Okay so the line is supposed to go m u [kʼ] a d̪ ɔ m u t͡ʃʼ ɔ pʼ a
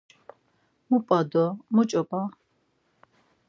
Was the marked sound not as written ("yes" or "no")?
yes